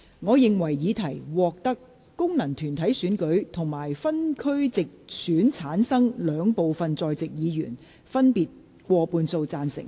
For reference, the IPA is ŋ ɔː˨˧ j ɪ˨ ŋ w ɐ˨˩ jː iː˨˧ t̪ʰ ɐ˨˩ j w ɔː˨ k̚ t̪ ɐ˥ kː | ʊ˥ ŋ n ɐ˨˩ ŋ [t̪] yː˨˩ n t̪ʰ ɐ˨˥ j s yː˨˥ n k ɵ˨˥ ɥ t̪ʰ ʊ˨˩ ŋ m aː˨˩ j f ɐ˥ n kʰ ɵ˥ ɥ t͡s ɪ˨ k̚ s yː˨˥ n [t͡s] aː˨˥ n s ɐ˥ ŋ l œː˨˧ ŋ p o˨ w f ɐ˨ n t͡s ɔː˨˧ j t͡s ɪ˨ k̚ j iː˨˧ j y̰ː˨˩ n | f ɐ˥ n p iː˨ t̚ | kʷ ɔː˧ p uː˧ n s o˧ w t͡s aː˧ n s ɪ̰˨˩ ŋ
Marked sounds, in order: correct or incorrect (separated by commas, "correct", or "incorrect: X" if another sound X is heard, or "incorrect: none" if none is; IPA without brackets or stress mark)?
incorrect: t̪ʰ, incorrect: t͡sʰ